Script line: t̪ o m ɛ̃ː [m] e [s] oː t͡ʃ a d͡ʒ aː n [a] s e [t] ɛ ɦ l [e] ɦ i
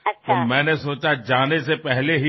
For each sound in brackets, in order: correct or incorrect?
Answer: incorrect, correct, incorrect, incorrect, correct

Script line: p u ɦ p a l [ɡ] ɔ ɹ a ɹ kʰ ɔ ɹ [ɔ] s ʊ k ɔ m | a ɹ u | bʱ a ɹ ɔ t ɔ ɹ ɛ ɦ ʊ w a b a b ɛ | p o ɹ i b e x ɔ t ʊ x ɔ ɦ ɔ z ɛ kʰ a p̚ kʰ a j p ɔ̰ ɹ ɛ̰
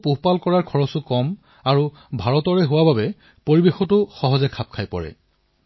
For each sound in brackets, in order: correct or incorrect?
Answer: incorrect, correct

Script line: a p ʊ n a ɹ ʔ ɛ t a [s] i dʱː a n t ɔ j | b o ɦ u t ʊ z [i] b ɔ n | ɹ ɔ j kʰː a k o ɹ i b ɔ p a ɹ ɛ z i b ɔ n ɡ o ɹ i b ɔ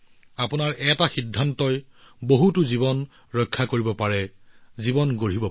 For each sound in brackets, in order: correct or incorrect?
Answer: incorrect, correct

